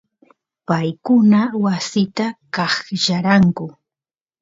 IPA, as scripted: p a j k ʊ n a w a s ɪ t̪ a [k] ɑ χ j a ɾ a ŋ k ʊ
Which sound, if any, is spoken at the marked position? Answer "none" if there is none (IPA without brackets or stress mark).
k